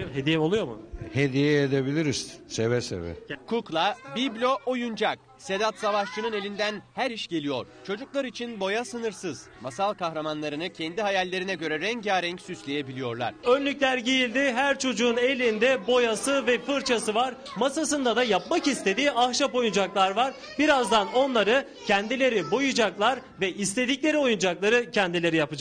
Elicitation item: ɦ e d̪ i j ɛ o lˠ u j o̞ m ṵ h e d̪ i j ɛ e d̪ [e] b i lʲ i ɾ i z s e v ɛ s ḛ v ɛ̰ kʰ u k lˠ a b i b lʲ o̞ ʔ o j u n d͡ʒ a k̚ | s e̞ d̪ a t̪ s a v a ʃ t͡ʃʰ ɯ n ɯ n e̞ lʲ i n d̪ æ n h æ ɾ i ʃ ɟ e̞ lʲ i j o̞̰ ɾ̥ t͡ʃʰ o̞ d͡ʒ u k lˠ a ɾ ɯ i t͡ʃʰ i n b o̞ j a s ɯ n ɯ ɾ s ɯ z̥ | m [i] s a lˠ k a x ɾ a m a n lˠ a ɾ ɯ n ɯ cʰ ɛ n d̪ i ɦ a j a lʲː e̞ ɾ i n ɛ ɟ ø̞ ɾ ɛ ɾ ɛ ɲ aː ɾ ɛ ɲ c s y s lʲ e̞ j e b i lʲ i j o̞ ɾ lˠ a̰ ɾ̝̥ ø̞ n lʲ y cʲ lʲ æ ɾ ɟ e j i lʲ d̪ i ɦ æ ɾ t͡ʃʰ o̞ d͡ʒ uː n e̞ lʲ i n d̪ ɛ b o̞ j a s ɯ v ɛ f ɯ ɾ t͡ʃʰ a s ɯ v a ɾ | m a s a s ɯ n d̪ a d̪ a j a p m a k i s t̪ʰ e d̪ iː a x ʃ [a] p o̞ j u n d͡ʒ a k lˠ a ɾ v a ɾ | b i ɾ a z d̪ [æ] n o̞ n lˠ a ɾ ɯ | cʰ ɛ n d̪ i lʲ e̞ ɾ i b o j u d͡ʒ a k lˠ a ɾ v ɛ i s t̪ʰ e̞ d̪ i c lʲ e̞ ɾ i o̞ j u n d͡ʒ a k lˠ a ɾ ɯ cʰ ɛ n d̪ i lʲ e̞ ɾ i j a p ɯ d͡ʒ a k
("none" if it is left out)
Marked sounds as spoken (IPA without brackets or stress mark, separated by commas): e, a, a, a